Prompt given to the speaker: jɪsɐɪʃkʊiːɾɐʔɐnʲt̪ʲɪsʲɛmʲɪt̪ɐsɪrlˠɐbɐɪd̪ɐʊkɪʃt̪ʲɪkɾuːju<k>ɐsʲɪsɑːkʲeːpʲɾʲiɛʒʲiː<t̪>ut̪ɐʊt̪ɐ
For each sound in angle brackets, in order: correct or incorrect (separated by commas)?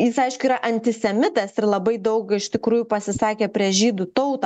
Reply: incorrect, incorrect